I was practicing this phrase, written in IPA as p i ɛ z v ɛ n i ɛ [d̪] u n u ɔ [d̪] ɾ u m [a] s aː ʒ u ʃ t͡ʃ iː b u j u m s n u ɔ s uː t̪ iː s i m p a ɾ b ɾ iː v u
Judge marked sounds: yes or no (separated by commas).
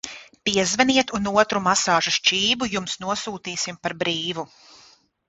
no, no, yes